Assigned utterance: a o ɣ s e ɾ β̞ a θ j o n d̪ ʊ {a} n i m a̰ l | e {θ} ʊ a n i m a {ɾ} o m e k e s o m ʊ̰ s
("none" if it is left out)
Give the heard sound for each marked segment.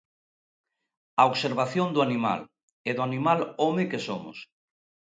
a, ð, l

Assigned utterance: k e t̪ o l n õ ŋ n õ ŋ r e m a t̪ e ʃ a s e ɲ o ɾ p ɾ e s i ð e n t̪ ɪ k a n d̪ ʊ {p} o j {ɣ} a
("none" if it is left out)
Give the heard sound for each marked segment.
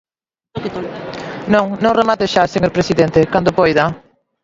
p, ð

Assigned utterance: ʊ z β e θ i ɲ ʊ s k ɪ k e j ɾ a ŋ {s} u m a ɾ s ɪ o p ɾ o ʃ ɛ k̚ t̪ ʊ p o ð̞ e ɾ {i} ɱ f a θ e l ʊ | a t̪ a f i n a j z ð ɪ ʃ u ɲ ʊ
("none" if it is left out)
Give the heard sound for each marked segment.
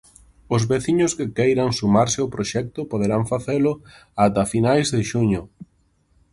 s, a

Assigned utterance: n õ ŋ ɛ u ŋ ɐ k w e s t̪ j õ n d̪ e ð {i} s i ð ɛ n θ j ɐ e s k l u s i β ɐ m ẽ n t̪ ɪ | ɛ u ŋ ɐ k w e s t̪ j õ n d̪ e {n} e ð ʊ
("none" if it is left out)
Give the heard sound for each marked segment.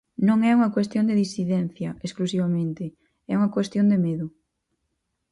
i, m

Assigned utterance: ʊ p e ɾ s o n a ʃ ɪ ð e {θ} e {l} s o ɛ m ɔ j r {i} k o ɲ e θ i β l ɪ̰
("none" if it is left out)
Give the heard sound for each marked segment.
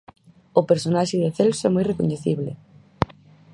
θ, l, e

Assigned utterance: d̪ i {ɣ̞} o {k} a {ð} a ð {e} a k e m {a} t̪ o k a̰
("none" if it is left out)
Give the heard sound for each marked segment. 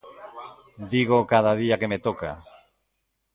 ɣ̞, k, ð, i, e

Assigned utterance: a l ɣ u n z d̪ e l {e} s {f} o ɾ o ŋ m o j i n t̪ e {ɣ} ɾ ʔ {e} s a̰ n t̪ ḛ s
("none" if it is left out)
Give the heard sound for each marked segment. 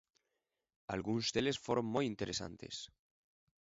e, f, none, e

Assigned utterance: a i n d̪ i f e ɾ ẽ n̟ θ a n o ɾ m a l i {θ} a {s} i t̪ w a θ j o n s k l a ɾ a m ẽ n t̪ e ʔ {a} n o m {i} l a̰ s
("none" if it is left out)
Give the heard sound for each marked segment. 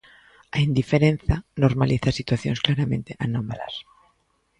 θ, s, a, a

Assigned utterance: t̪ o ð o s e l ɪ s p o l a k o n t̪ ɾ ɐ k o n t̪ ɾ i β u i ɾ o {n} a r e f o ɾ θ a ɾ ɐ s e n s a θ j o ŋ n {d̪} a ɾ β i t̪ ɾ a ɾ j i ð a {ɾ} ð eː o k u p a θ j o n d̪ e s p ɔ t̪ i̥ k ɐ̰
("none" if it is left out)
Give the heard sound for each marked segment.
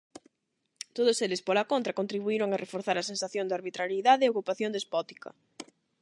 ŋ, d̪, none

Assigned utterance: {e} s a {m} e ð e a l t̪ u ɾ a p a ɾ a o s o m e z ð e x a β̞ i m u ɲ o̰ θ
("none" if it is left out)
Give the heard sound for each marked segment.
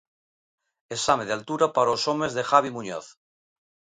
e, m

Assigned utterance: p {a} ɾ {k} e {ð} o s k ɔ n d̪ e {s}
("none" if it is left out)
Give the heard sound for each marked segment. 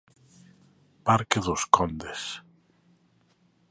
a, k, ð, s

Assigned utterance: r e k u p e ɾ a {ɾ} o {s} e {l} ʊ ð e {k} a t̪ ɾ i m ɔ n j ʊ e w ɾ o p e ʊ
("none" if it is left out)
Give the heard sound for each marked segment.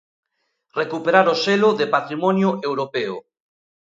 ɾ, s, l, p

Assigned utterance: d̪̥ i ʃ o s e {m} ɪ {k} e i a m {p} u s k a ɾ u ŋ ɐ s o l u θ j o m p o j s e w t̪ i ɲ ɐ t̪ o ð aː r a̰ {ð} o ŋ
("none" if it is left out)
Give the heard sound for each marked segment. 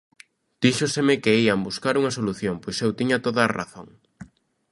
m, k, b, θ

